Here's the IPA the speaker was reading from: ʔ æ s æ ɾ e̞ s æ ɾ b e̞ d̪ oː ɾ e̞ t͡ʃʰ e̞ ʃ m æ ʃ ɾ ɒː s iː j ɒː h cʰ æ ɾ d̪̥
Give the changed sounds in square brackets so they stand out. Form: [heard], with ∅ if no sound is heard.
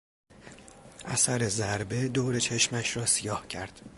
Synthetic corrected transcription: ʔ æ s æ ɾ e̞ [z] æ ɾ b e̞ d̪ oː ɾ e̞ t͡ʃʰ e̞ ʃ m æ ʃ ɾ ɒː s [i] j ɒː h cʰ æ ɾ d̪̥